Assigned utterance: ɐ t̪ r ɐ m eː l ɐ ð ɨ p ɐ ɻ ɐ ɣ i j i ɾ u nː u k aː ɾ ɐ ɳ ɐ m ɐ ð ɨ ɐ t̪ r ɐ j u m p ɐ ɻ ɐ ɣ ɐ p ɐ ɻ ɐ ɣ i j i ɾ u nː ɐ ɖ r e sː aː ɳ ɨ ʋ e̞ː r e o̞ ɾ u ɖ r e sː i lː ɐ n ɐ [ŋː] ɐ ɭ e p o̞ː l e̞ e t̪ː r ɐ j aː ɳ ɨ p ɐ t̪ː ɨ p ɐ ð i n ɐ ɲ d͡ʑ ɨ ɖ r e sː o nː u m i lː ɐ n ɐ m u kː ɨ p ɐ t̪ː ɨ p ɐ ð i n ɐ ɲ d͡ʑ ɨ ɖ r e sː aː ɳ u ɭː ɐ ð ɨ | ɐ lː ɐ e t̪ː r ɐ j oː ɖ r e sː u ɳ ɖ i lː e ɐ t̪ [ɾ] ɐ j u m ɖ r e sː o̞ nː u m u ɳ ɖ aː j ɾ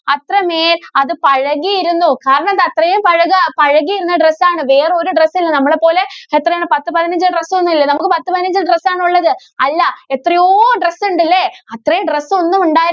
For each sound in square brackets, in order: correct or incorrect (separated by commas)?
incorrect, incorrect